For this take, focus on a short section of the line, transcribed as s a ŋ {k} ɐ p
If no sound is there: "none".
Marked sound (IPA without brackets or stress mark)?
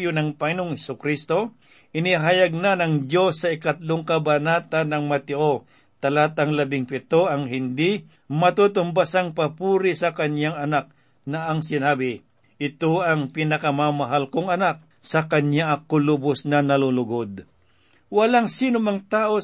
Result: p